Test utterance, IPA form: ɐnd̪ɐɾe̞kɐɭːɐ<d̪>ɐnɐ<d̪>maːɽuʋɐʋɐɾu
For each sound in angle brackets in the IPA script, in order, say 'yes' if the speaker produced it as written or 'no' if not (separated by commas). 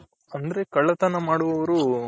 no, no